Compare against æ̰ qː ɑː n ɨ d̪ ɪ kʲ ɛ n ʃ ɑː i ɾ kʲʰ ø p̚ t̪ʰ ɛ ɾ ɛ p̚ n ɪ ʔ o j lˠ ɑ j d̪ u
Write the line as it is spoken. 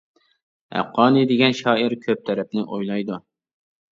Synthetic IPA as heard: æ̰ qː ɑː n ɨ d̪ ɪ ɡʲ ɛ n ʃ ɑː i ɾ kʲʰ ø p̚ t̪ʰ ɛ ɾ ɛ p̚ n ɪ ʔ o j lˠ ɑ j d̪ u